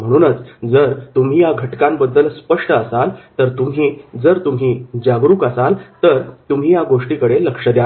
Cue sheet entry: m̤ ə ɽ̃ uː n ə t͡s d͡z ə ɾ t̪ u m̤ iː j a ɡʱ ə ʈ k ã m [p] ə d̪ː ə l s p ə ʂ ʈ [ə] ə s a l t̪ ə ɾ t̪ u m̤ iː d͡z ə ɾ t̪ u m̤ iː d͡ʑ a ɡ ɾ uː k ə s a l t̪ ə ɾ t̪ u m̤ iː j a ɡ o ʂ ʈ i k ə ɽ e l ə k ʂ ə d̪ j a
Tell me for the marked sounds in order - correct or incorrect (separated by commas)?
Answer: incorrect, correct